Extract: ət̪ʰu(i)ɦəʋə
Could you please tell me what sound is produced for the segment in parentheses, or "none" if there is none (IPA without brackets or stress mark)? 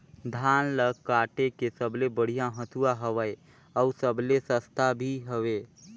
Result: a